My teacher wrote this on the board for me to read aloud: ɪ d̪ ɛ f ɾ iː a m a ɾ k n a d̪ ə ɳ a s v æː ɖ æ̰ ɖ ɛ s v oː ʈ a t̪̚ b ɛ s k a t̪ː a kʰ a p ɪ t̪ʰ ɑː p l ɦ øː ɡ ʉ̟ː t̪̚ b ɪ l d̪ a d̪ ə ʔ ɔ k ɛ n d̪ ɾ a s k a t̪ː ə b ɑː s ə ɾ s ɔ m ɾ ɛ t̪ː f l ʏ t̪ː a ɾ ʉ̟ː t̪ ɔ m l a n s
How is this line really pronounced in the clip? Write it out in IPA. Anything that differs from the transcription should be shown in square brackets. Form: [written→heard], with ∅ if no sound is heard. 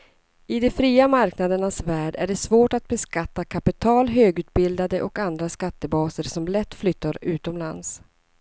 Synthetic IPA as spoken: ɪ d̪ ɛ f ɾ iː a m a ɾ k n a d̪ ə ɳ a s v æː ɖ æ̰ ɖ ɛ s v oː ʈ a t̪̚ b ɛ s k a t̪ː a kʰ a p ɪ t̪ʰ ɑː [p→∅] l ɦ øː ɡ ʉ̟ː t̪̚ b ɪ l d̪ a d̪ ə ʔ ɔ k [ɛ→a] n d̪ ɾ a s k a t̪ː ə b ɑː s ə ɾ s ɔ m [ɾ→l] ɛ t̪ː f l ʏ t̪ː a ɾ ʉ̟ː t̪ ɔ m l a n s

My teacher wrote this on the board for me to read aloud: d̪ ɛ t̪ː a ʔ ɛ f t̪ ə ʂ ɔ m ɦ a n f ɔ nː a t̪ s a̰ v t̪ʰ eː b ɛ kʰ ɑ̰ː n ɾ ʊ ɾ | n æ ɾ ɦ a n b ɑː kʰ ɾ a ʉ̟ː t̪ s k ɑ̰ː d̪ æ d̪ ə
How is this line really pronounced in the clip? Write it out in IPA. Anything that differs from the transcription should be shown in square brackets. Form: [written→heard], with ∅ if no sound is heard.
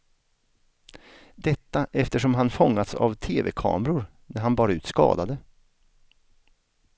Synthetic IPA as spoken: d̪ ɛ t̪ː a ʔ ɛ f t̪ ə ʂ ɔ m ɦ a n f ɔ [nː→ŋː] a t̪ s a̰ v t̪ʰ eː [b→v] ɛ kʰ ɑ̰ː [n→m] ɾ ʊ ɾ | n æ ɾ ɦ a n b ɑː [kʰ→∅] ɾ a ʉ̟ː t̪ s k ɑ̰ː d̪ [æ→a] d̪ ə

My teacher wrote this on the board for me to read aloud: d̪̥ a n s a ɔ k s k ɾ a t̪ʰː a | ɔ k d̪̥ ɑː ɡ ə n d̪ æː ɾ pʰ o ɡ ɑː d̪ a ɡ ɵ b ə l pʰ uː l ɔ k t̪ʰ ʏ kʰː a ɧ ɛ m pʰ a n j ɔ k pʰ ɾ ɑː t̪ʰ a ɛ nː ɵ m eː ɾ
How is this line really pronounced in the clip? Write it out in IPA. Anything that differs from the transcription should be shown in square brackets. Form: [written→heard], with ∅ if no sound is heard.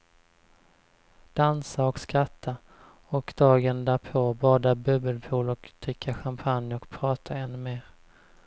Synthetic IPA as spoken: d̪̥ a n s a ɔ k s k ɾ a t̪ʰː a | ɔ k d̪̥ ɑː ɡ ə n d̪ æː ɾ pʰ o [ɡ→b] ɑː d̪ a [ɡ→b] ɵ b ə l pʰ uː l ɔ k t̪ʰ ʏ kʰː a ɧ [ɛ→a] m pʰ a n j ɔ k pʰ ɾ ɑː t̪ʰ a ɛ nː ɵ m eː ɾ

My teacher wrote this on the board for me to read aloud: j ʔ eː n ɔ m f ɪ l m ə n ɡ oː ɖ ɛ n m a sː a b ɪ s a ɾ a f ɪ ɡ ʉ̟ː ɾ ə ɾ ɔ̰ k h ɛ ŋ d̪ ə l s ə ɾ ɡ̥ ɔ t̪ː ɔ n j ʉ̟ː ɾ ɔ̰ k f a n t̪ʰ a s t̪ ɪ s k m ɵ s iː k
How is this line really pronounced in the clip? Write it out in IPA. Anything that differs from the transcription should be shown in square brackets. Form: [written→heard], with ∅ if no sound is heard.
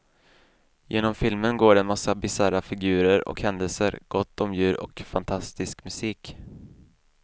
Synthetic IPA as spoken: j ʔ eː n ɔ m f ɪ l m ə n ɡ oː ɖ ɛ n m a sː a b ɪ s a ɾ a f ɪ ɡ ʉ̟ː ɾ ə ɾ ɔ̰ k h ɛ [ŋ→n] d̪ ə l s ə ɾ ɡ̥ ɔ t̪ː ɔ [n→m] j ʉ̟ː ɾ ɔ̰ k f a n t̪ʰ a s t̪ ɪ s k m ɵ s iː k

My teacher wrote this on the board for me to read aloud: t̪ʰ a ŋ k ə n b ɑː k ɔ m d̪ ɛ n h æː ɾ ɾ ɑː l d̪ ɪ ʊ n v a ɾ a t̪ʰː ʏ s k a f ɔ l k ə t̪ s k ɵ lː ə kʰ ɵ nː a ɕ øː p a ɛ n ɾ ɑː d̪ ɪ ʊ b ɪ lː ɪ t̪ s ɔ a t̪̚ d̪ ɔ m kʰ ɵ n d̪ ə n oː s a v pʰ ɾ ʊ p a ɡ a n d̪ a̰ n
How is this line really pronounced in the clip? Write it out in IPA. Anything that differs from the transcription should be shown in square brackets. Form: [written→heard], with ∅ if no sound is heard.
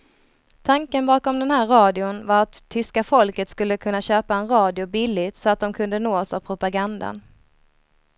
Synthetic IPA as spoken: t̪ʰ a ŋ k ə n b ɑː k ɔ m d̪ ɛ n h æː ɾ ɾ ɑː [l→∅] d̪ ɪ ʊ n v a ɾ a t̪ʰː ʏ s k a f ɔ l k ə t̪ s k ɵ lː ə kʰ ɵ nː a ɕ øː p a ɛ n ɾ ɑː d̪ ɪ ʊ b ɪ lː ɪ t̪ s ɔ a t̪̚ d̪ ɔ m kʰ ɵ n d̪ ə n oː s a v pʰ ɾ ʊ p a ɡ a n d̪ a̰ n

